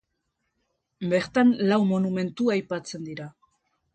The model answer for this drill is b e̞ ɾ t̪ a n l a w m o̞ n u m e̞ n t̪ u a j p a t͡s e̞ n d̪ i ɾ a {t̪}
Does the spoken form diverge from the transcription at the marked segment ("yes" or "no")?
yes